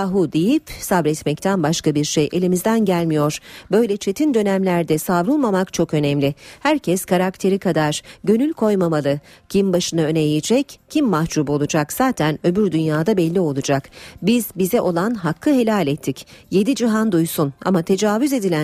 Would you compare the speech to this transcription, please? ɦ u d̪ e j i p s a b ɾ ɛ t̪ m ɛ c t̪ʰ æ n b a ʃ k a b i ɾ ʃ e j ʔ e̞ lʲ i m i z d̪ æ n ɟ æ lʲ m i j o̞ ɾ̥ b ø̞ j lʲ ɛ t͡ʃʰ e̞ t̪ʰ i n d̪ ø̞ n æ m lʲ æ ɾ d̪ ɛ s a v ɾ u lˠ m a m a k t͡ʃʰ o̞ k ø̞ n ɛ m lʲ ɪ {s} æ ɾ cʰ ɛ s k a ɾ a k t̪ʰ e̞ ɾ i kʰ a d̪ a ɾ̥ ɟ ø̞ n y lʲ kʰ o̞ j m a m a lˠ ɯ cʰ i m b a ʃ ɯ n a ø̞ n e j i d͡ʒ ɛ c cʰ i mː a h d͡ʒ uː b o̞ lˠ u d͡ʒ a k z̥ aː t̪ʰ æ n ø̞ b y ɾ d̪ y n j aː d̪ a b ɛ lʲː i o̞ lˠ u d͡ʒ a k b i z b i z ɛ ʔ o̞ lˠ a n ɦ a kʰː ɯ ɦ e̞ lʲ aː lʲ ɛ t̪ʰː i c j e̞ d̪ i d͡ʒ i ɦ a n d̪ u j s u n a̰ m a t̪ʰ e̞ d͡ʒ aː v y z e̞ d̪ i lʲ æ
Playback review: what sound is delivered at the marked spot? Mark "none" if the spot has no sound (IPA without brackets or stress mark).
h